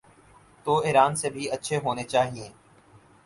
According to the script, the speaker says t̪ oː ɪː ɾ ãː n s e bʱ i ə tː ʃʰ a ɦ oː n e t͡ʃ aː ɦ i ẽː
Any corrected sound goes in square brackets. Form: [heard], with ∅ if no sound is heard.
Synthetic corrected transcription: t̪ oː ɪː ɾ [aː] n s e bʱ i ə tː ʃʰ [e] ɦ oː n e t͡ʃ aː ɦ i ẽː

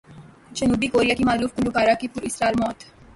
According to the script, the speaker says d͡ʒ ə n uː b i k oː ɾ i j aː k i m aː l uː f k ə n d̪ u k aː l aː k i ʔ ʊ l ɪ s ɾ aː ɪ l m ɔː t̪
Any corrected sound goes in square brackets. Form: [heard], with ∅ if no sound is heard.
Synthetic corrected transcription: d͡ʒ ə n uː b i k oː ɾ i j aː k i m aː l uː f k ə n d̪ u k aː [ɾ] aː k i [p] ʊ [ɾ] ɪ s ɾ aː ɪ l m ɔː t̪

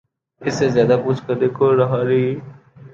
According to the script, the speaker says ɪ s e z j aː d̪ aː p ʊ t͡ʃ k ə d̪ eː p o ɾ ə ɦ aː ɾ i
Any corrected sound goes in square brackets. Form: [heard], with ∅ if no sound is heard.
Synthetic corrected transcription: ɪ s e z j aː d̪ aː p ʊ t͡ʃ k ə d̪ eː [k] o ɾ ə ɦ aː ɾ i

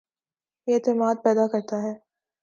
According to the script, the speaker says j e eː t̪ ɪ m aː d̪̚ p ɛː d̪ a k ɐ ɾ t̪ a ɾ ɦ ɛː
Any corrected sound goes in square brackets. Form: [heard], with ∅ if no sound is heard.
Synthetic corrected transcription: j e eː t̪ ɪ m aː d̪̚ p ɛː d̪ a k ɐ ɾ t̪ a [∅] ɦ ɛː

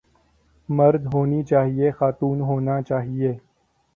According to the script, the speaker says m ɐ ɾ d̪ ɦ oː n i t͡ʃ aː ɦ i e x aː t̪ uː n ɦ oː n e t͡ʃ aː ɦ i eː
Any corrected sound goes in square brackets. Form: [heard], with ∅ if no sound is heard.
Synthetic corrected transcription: m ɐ ɾ d̪ ɦ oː n i t͡ʃ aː ɦ i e x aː t̪ uː n ɦ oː n [a] t͡ʃ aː ɦ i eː

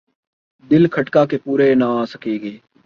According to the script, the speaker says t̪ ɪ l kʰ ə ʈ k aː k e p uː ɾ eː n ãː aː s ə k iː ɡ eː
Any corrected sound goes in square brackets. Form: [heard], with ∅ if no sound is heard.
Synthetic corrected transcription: [d̪] ɪ l kʰ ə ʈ k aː k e p uː ɾ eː n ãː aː s ə k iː ɡ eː

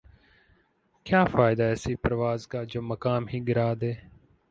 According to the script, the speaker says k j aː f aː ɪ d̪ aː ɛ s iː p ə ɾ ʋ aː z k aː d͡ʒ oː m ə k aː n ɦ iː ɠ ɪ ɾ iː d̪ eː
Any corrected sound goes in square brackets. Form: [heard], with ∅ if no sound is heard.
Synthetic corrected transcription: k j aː f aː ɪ d̪ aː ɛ s iː p ə ɾ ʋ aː z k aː d͡ʒ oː m ə k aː [m] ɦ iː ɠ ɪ ɾ [aː] d̪ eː

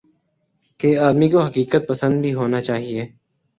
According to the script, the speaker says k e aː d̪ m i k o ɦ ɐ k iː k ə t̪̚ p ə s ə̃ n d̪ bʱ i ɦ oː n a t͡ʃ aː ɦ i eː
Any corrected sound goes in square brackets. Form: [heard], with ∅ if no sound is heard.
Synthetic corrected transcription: k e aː d̪ m i k o ɦ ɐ k iː k ə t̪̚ p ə s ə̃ n d̪ bʱ i ɦ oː n a t͡ʃ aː ɦ i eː

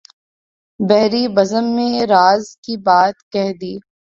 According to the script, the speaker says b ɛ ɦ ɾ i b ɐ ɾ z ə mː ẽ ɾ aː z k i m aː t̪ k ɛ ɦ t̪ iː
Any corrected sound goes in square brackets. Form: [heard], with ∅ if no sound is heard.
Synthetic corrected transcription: b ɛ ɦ ɾ i b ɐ [∅] z ə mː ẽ ɾ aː z k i [b] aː t̪ k ɛ ɦ [d̪] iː

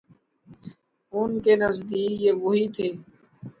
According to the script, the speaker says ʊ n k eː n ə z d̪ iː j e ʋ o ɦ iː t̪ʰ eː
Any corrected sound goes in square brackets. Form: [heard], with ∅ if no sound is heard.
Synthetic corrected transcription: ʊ n k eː n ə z d̪ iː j e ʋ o ɦ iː t̪ʰ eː

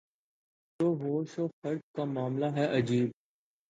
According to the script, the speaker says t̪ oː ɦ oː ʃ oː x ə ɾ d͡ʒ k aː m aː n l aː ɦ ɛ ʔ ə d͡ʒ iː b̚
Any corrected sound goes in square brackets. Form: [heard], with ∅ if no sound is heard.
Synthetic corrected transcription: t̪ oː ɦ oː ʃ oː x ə ɾ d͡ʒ k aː m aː [m] l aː ɦ ɛ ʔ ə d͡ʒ iː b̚

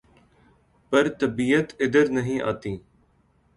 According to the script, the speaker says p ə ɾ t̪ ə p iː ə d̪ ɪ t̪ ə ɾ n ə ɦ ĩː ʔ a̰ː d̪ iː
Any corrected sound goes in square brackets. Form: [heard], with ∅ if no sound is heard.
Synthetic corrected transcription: p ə ɾ t̪ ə [b] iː ə [t̪] ɪ [d̪] ə ɾ n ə ɦ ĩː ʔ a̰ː [t̪] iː

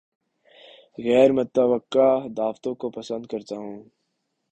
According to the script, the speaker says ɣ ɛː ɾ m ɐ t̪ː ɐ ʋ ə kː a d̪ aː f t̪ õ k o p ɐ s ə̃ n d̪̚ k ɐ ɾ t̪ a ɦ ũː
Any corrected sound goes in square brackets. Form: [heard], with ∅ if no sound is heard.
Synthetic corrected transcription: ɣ ɛː ɾ m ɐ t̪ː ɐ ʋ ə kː a d̪ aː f t̪ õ k o p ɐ s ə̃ n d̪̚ k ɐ ɾ t̪ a ɦ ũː

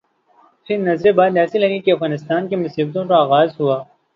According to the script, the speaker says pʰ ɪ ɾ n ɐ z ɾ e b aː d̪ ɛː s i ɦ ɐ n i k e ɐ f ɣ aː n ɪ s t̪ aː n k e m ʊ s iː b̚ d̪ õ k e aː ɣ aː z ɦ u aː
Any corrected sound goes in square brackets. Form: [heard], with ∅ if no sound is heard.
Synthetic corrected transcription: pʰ ɪ ɾ n ɐ z ɾ e b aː d̪ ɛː s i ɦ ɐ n i k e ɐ f ɣ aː n ɪ s t̪ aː n k e m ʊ s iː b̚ [t̪] õ k [a] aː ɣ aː z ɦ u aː

